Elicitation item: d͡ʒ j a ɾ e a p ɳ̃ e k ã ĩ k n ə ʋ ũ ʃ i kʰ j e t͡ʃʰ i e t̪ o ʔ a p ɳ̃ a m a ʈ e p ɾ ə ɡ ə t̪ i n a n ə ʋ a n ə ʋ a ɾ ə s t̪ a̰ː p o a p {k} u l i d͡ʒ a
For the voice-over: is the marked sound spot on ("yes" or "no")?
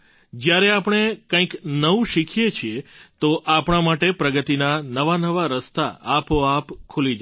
no